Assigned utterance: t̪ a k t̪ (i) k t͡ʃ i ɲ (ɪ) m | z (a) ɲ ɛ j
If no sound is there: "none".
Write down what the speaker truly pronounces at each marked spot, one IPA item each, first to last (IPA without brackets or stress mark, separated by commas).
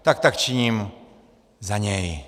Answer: a, i, a